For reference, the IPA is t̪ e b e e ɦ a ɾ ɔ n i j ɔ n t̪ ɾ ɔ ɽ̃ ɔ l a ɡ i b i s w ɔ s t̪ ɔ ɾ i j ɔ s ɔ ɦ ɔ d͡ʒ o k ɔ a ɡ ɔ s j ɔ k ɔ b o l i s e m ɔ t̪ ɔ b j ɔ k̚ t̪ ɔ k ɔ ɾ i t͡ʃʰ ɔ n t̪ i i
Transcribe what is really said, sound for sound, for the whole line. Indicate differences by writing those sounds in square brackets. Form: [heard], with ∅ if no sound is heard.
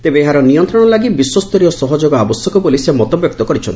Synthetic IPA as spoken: t̪ e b e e ɦ a ɾ ɔ n i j ɔ n t̪ ɾ ɔ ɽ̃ ɔ l a ɡ i b i s w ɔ s t̪ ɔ ɾ i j ɔ s ɔ ɦ ɔ d͡ʒ o [ɡ] ɔ a [b] ɔ s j ɔ k ɔ b o l i s e m ɔ t̪ ɔ b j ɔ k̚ t̪ ɔ k ɔ ɾ i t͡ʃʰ ɔ n t̪ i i

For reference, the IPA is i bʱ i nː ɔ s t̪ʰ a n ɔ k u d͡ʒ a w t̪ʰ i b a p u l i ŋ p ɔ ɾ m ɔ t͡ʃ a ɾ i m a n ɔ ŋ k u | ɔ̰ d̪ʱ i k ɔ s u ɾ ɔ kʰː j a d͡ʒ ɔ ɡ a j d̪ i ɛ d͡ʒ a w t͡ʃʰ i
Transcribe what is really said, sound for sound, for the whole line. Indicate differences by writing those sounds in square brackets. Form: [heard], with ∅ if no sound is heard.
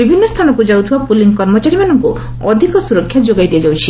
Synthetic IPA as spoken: i bʱ i nː ɔ s t̪ʰ a n ɔ k u d͡ʒ a w t̪ʰ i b a p u l i ŋ [k] ɔ ɾ m ɔ t͡ʃ a ɾ i m a n ɔ ŋ k u | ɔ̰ d̪ʱ i k ɔ s u ɾ ɔ kʰː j a d͡ʒ [o] ɡ a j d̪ i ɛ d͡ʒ a w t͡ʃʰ i

